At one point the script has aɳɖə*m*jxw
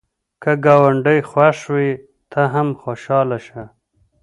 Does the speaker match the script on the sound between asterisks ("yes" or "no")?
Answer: no